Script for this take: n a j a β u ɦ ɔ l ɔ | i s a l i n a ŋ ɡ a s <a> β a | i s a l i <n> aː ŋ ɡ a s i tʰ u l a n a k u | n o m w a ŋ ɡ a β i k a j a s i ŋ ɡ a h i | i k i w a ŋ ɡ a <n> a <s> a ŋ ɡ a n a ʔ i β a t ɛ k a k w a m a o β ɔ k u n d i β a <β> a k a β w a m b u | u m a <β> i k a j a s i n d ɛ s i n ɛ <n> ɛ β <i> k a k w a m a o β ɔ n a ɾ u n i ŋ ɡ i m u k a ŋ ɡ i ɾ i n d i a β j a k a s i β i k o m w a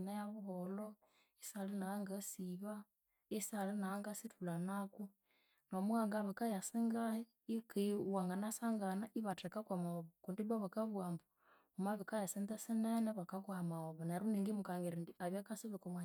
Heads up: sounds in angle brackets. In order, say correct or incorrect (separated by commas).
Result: incorrect, correct, correct, correct, correct, correct, correct, incorrect